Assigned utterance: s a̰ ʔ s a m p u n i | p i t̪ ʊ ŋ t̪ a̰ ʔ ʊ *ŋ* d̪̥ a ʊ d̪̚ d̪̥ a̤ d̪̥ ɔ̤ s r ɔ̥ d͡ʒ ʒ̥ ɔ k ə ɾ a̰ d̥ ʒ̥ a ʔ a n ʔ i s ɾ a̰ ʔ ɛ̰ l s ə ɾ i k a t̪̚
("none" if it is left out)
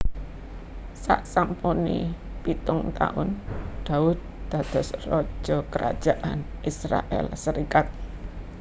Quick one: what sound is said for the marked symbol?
n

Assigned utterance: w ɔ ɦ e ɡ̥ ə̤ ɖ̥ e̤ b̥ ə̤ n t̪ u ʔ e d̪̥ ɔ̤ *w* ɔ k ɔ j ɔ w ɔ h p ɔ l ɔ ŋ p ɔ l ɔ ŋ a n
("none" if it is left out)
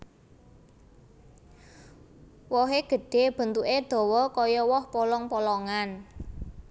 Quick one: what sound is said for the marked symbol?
w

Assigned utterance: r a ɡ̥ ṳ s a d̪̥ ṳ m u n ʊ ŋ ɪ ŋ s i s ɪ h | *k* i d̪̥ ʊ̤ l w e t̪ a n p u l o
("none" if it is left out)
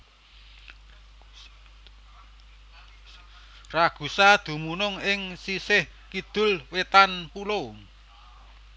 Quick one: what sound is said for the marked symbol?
k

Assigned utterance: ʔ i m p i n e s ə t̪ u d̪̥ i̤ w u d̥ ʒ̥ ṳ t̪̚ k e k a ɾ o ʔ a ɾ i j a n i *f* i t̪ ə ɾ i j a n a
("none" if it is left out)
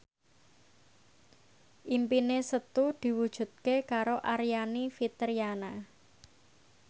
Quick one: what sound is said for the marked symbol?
f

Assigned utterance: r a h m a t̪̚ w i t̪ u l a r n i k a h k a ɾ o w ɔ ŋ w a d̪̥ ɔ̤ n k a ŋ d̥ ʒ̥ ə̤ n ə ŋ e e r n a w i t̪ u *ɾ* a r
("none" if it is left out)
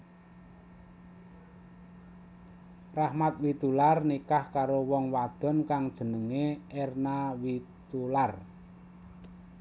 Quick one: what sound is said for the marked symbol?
l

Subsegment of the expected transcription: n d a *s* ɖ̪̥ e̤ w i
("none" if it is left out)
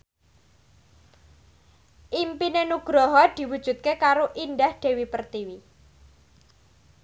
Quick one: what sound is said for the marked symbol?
h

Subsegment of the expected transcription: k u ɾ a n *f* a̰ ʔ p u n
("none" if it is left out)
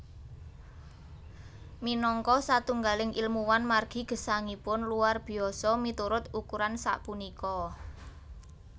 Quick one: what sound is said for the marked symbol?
s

